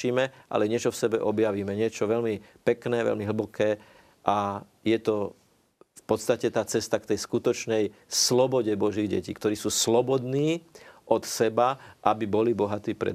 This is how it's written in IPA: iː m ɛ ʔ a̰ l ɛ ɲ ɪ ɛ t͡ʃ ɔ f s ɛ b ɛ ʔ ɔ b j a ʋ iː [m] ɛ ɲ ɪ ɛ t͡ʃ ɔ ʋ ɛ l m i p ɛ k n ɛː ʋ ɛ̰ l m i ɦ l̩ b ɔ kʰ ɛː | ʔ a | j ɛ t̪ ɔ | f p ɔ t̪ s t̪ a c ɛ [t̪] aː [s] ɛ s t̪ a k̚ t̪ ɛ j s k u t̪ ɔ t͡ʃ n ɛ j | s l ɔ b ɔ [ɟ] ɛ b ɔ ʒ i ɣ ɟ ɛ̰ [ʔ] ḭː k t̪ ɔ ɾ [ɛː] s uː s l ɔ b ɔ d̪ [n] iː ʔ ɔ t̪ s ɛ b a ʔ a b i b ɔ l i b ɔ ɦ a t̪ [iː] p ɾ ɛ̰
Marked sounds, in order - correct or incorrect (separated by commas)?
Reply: correct, correct, incorrect, correct, incorrect, incorrect, correct, correct